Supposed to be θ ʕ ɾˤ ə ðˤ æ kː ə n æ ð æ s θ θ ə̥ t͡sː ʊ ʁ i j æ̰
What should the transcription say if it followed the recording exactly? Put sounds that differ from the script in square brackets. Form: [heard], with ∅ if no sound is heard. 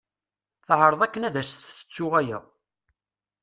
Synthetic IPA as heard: θ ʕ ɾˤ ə ðˤ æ kː ə n æ ð æ s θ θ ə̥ t͡sː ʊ ʁ [æ] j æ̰